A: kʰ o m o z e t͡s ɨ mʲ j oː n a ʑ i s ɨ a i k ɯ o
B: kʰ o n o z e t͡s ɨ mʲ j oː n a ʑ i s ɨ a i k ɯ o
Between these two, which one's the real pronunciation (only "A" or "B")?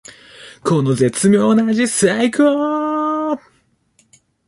B